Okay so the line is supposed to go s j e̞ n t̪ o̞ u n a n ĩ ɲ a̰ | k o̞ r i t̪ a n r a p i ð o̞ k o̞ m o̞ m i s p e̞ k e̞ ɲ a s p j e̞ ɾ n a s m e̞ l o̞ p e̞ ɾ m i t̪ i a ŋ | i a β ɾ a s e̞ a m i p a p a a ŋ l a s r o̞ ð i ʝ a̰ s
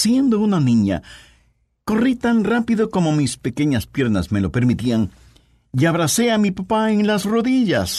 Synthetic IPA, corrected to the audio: s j e̞ n d̪ o̞ u n a n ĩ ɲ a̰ | k o̞ r i t̪ a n r a p i ð o̞ k o̞ m o̞ m i s p e̞ k e̞ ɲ a s p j e̞ ɾ n a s m e̞ l o̞ p e̞ ɾ m i t̪ i a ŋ | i a β ɾ a s e̞ a m i p a p a e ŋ l a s r o̞ ð i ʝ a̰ s